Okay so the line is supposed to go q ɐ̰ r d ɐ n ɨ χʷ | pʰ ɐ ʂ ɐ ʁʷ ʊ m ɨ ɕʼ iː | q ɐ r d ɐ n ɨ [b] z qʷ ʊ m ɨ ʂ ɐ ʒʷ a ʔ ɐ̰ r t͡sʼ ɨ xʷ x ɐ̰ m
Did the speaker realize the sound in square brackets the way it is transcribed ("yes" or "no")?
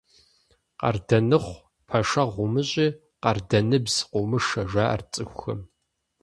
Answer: yes